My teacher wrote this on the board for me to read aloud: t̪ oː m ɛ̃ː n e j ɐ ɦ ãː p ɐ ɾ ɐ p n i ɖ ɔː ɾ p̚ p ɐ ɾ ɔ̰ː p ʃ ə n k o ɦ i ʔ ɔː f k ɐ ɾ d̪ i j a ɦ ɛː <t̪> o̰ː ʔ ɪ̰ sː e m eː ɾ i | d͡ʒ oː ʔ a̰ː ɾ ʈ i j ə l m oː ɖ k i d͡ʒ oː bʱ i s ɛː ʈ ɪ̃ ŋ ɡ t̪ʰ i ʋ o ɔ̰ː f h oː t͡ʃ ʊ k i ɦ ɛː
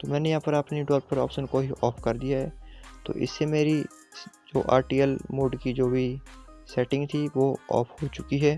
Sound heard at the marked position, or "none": t̪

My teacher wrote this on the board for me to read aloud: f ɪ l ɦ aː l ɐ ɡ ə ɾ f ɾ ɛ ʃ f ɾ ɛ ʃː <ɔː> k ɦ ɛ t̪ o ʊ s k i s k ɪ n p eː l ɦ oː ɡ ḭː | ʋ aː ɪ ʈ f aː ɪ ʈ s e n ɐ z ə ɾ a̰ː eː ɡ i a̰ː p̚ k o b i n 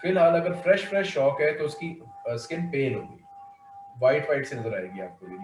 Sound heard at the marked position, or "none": ɔː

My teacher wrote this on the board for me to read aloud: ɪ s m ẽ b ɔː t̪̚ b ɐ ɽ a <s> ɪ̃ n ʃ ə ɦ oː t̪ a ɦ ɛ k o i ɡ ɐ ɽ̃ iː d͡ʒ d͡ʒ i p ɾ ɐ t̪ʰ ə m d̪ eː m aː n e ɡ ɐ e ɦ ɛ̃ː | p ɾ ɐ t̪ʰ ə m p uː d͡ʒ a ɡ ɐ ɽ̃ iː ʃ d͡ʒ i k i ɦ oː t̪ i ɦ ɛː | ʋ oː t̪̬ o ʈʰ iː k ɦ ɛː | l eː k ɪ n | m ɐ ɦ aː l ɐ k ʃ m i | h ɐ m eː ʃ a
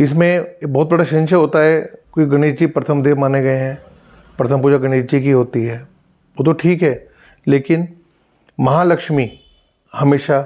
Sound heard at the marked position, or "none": ʃ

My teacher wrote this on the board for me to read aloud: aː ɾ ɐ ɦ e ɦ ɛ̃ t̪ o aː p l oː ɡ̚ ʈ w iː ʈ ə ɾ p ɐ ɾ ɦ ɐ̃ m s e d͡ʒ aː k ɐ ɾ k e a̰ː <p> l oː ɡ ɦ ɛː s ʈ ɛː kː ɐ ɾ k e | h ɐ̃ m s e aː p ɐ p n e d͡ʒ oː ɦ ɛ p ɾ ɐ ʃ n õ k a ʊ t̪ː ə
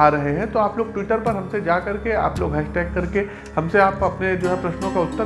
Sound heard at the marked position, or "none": p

